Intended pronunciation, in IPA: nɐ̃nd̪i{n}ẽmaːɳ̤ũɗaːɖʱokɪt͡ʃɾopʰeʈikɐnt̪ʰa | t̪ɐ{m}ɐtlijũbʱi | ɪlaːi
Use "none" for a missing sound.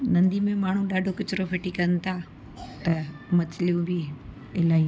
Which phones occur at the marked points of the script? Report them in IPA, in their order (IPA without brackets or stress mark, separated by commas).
m, m